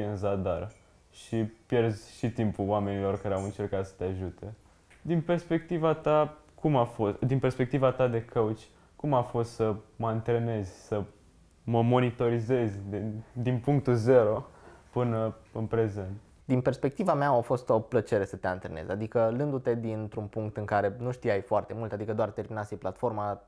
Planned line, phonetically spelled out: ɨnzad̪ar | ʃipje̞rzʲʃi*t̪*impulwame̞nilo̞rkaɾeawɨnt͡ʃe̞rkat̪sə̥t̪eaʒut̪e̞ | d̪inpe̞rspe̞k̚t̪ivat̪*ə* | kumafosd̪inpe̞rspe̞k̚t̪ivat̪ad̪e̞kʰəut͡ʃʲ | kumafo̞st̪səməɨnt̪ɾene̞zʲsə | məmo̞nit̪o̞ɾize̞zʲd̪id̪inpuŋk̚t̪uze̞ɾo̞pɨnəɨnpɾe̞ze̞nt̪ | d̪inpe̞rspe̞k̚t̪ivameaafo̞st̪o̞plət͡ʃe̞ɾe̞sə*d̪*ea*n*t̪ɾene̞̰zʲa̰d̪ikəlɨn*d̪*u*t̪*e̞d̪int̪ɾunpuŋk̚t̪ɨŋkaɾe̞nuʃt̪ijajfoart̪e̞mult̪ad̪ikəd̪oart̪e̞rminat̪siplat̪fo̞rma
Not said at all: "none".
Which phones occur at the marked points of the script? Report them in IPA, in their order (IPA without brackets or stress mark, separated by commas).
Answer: t̪, a, t̪, n, d̪, t̪